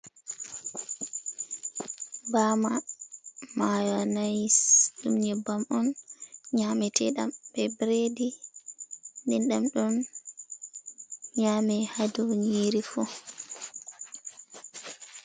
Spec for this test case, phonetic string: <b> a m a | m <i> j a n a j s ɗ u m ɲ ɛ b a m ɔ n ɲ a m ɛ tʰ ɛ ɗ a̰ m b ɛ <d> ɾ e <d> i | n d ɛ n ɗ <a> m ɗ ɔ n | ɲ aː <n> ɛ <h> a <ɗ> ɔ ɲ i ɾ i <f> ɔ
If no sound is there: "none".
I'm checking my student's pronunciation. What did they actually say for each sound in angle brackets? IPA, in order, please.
b, a, b, d, a, m, h, d, f

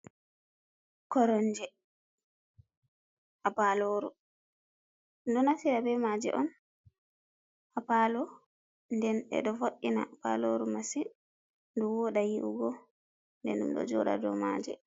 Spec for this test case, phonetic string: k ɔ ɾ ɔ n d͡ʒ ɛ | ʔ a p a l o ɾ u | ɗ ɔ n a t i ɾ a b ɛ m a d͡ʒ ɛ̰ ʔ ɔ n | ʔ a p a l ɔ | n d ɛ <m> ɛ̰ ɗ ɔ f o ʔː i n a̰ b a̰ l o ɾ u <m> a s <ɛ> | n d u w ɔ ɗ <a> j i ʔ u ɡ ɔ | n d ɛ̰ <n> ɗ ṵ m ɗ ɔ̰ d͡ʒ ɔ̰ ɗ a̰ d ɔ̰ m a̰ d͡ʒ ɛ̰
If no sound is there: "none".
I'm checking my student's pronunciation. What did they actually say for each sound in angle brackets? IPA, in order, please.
n, m, i, a, n

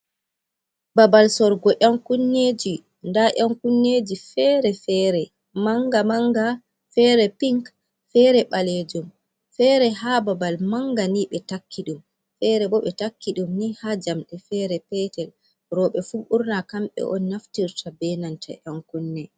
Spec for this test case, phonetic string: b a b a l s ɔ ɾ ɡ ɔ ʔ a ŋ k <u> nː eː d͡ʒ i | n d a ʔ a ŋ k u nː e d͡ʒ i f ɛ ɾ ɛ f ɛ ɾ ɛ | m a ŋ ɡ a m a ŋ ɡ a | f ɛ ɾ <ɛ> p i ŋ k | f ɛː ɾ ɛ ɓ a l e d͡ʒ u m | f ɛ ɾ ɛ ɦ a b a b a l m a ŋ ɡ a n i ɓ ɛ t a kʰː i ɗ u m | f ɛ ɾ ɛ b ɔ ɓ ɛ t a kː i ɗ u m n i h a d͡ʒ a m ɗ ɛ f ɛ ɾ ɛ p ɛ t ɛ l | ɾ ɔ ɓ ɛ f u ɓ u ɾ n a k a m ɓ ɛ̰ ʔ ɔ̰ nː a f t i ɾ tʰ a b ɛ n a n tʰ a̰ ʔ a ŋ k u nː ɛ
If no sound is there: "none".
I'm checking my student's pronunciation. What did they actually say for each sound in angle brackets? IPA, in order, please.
u, ɛ

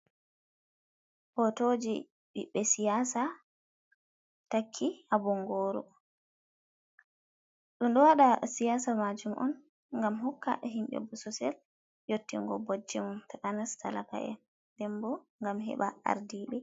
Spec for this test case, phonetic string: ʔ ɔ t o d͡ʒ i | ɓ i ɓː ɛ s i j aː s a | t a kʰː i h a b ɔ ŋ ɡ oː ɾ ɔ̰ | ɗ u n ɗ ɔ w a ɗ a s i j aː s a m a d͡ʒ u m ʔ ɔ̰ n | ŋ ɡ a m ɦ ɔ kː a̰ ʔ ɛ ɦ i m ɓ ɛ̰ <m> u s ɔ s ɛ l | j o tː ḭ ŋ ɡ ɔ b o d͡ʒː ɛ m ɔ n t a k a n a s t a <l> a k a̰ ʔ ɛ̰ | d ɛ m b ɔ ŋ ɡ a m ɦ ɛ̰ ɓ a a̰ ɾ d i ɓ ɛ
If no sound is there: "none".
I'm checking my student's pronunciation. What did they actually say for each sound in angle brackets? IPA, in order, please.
b, l

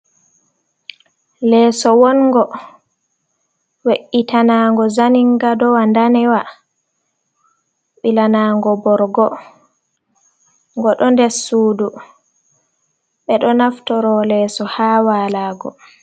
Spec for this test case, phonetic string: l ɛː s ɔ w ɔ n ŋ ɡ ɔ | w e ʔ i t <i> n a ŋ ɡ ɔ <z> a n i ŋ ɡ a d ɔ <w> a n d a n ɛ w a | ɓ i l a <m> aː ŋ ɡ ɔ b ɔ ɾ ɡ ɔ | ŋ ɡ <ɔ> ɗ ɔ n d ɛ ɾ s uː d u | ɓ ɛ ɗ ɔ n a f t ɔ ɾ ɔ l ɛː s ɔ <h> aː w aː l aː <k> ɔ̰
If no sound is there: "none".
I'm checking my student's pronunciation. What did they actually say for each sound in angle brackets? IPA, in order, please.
a, z, w, n, ɔ, h, ɡ

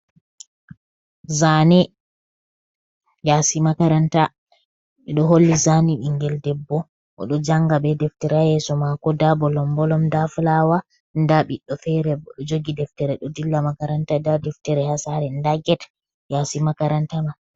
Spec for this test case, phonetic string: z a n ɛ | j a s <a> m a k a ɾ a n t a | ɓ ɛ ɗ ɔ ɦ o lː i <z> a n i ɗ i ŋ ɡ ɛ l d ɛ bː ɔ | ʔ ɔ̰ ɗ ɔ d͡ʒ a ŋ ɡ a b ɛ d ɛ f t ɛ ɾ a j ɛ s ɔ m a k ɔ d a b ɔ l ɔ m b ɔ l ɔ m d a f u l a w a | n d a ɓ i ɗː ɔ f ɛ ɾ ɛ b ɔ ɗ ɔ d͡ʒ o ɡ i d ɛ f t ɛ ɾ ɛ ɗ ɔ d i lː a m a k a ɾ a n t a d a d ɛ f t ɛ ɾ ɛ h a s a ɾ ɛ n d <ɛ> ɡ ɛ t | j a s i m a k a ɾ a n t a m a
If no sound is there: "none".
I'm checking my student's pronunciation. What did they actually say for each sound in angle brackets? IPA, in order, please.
i, z, a

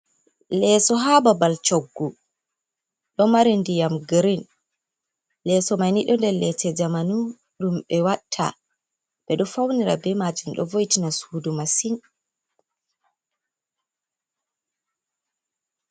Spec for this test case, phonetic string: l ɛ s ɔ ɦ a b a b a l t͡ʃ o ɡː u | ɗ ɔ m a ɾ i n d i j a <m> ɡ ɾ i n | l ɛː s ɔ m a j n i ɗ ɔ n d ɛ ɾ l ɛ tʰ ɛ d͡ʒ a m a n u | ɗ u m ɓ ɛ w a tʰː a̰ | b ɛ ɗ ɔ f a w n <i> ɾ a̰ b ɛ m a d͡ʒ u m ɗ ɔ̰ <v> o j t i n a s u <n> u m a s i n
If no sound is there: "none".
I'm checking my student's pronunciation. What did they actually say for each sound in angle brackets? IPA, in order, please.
m, i, v, d

